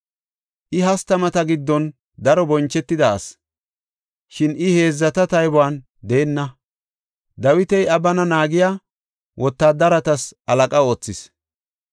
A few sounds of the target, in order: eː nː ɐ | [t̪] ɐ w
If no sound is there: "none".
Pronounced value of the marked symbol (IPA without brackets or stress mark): d̪